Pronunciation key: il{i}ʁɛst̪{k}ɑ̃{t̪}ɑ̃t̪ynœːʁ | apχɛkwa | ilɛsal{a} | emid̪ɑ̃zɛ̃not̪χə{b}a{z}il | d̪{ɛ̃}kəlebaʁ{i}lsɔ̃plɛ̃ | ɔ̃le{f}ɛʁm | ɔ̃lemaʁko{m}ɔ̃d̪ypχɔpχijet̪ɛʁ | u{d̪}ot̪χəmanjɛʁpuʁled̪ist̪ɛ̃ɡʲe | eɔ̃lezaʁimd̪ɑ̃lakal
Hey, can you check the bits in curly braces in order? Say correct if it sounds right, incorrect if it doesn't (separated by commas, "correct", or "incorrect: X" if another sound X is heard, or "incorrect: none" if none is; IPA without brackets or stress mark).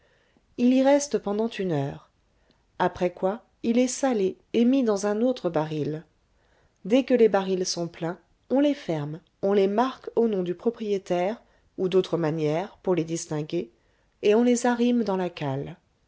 correct, incorrect: p, incorrect: d̪, incorrect: e, correct, incorrect: ʁ, incorrect: ɛ, correct, correct, incorrect: n, correct